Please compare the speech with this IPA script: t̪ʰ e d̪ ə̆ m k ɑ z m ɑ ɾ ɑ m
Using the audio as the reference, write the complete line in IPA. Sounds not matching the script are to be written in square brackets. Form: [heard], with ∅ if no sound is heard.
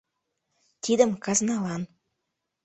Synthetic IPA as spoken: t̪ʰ [i] d̪ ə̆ m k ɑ z [n] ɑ [l] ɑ [n]